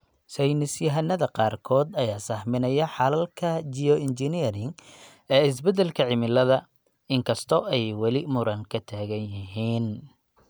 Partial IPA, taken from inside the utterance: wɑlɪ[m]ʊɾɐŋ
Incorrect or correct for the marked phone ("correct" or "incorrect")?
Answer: correct